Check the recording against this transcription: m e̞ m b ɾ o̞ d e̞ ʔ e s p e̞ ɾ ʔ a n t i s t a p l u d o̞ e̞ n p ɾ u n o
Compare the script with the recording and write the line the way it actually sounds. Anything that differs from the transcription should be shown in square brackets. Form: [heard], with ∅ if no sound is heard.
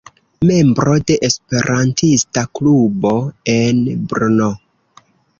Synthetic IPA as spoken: m e̞ m b ɾ o̞ d e̞ ʔ e s p e̞ ɾ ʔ a n t i s t a [k] l u [b] o̞ e̞ n [b] ɾ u n o